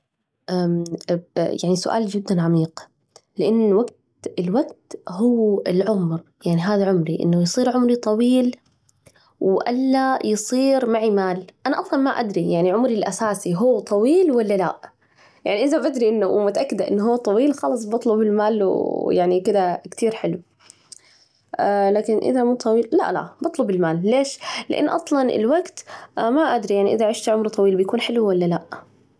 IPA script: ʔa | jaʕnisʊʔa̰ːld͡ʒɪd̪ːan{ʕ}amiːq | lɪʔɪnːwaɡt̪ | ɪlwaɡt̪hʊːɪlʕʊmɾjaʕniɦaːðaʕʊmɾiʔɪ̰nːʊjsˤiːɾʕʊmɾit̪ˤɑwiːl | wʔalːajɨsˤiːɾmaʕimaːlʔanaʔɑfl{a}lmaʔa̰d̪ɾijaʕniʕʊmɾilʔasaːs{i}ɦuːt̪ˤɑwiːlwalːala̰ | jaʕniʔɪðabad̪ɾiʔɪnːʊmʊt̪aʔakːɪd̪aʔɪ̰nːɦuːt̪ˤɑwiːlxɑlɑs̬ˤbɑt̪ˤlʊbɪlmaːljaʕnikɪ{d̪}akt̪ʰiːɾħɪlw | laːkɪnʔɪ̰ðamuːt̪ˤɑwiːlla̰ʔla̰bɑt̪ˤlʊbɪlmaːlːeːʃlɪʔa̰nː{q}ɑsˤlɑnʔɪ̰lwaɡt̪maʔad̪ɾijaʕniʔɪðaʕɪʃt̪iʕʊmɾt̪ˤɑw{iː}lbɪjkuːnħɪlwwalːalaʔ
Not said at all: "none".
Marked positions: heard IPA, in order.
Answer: ʕ, ɑ, i, d̪, ʔ, iː

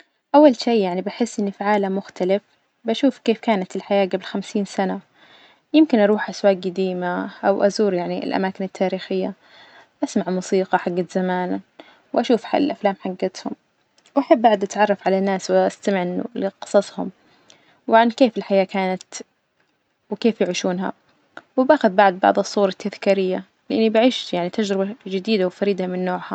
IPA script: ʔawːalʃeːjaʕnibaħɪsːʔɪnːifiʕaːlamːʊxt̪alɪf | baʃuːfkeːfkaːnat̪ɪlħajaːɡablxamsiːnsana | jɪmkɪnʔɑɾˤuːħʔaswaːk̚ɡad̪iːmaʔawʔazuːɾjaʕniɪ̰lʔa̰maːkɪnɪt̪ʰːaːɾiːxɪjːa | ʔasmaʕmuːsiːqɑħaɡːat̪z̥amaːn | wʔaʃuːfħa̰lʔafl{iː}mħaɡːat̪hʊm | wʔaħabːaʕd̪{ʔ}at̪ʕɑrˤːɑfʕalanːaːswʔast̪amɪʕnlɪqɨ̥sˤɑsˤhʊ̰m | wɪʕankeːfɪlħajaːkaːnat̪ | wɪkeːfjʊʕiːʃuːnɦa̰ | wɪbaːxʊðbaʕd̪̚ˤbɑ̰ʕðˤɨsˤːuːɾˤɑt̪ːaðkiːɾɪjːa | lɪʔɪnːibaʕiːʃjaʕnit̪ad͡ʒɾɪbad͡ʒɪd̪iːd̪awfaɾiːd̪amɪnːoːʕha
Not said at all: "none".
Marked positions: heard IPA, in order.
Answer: aː, ʔ

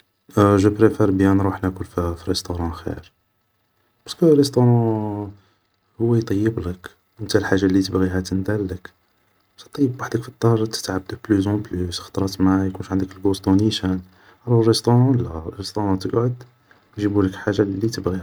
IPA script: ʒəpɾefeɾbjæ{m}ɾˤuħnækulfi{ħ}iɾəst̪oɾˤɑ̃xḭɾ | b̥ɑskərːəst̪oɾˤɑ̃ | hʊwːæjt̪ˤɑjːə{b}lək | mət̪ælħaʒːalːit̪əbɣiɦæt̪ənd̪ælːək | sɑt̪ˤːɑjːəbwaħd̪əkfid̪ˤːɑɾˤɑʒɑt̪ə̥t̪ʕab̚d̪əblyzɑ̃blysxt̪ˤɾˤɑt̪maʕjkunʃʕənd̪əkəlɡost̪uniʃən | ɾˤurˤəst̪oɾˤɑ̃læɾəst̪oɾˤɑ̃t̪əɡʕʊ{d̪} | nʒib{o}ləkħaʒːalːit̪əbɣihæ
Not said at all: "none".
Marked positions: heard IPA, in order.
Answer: n, f, b, d̪, u

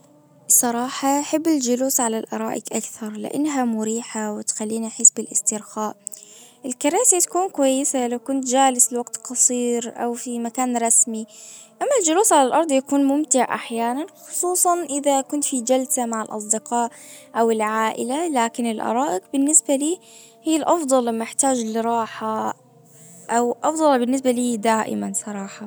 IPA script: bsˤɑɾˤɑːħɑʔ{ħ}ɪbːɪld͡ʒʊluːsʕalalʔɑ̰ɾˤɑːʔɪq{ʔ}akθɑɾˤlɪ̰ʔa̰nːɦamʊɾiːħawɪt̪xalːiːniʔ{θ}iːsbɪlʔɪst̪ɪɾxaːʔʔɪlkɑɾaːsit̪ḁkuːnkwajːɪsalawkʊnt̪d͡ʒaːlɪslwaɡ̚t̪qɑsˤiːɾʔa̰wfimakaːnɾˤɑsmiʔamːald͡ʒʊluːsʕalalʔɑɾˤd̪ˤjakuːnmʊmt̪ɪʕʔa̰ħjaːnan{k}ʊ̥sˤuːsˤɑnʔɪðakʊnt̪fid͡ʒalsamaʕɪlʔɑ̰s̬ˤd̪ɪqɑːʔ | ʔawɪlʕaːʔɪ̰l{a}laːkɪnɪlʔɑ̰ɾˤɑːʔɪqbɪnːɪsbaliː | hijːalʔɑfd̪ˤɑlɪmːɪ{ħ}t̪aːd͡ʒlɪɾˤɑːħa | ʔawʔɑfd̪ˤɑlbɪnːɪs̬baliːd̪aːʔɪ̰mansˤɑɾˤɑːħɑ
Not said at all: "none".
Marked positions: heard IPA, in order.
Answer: ħ, ʔ, ħ, x, a, ħ

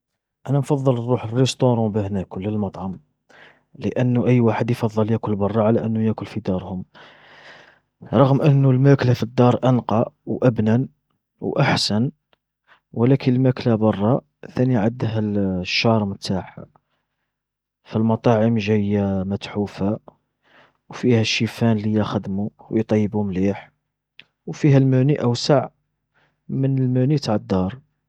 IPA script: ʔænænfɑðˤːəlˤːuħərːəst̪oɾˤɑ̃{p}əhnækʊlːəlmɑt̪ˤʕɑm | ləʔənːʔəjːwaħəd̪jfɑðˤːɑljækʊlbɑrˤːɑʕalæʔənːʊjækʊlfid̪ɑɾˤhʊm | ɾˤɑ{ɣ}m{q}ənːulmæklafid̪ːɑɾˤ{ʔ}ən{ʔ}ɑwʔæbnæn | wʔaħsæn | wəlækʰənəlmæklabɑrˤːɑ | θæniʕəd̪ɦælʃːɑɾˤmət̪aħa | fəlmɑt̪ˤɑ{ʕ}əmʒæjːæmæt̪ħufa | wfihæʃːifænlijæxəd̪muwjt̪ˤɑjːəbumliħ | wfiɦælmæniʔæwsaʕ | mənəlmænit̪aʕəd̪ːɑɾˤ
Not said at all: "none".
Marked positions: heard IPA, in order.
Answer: b, ɣ, ʔ, ʔ, q, ʕ

